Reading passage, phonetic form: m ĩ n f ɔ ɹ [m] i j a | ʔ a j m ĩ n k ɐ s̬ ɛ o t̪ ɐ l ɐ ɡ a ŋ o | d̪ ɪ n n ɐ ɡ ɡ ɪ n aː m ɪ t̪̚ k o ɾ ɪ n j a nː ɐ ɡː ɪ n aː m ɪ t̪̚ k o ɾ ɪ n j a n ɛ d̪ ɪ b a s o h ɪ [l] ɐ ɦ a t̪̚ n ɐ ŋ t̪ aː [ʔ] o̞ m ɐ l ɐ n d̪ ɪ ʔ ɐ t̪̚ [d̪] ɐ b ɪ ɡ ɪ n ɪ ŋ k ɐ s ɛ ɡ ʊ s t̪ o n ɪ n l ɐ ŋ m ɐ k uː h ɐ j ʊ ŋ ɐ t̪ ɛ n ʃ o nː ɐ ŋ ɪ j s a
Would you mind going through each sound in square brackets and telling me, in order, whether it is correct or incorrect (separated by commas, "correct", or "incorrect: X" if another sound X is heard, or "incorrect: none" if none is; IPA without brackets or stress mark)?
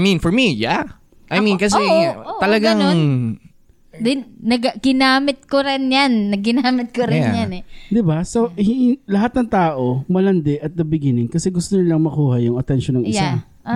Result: correct, correct, correct, correct